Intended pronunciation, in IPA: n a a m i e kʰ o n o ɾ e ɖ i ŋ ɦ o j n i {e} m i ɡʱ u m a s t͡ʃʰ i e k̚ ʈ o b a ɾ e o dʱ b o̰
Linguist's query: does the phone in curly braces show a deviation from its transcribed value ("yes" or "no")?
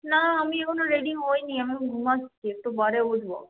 yes